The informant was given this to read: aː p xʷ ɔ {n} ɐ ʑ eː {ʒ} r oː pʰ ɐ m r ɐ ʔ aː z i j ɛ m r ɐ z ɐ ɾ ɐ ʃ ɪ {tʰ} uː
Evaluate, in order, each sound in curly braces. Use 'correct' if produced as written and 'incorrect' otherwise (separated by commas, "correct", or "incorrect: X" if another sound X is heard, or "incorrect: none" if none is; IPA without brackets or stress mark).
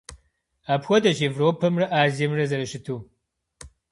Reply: incorrect: d, incorrect: v, correct